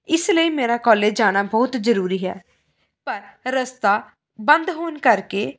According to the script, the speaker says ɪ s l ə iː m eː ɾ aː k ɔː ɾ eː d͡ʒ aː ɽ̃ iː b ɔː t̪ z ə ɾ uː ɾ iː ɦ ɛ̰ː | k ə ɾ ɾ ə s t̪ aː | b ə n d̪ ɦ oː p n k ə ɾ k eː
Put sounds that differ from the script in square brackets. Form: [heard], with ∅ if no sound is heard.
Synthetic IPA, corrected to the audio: ɪ s l ə iː m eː ɾ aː k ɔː [l] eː d͡ʒ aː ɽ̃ [aː] b ɔː t̪ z ə ɾ uː ɾ iː ɦ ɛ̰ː | [p] ə ɾ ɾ ə s t̪ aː | b ə n d̪ ɦ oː [∅] n k ə ɾ k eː